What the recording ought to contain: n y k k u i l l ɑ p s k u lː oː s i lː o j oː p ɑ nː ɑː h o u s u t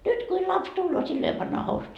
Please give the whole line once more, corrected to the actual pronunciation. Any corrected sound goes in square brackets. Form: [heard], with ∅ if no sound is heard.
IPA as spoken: n y [t] k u i l l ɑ p s [t] u lː oː s i lː o j [o] p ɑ nː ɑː h o u s u t